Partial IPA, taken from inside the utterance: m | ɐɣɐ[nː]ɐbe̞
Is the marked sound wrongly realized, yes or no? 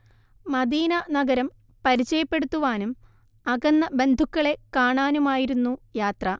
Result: no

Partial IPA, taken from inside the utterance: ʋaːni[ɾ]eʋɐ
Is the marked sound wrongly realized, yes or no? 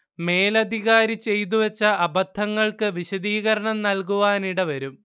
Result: yes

